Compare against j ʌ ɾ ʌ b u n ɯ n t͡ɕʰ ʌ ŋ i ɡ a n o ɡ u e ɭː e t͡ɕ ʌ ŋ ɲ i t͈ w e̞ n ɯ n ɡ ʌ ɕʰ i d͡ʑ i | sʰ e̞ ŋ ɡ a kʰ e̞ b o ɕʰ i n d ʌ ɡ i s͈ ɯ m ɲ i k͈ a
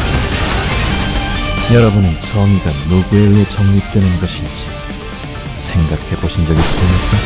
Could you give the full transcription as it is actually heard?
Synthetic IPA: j ʌ ɾ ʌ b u n ɯ n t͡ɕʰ ʌ ŋ i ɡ a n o ɡ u e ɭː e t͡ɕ ʌ ŋ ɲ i t͈ w e̞ n ɯ n ɡ ʌ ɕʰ i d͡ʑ i | sʰ e̞ ŋ ɡ a kʰ e̞ b o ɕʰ i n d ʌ ɡ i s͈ ɯ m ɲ i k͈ a